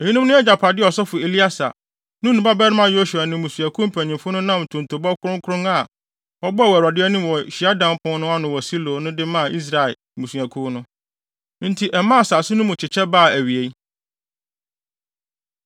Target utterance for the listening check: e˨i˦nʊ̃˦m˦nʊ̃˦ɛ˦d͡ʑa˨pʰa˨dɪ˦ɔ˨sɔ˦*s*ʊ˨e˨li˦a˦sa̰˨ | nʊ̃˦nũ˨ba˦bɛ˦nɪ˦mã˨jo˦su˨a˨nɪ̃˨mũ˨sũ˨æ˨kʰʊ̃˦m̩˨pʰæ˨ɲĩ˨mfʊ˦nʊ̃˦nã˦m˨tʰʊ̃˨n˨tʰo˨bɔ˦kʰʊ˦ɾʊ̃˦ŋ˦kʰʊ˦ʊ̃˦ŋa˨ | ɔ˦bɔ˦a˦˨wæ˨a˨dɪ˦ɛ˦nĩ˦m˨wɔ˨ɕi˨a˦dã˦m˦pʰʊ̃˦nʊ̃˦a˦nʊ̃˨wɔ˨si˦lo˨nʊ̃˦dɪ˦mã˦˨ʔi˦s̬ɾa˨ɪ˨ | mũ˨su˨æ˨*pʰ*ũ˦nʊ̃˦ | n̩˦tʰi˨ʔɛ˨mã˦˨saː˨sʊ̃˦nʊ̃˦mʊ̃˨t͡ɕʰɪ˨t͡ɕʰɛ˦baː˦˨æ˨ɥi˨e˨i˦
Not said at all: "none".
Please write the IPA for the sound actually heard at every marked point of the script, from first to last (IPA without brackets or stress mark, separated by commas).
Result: f, kʰ